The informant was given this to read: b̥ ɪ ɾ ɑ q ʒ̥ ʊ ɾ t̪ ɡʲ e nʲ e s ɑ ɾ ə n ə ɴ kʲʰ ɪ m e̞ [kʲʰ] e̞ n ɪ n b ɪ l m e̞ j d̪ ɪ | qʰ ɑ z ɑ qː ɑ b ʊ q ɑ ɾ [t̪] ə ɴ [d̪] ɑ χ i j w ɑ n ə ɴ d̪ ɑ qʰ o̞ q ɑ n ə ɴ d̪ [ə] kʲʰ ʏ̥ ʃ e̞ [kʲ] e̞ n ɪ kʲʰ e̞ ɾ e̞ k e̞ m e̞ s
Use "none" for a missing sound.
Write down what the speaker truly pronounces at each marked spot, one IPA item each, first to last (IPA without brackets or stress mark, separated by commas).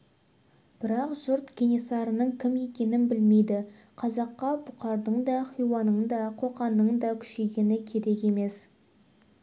kʲ, d̪, d̪, ɑ, ɡʲ